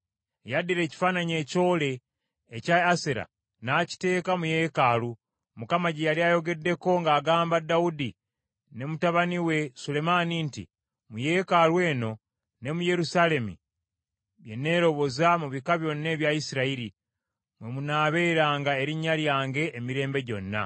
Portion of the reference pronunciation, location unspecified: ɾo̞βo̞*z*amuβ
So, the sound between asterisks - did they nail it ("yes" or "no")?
yes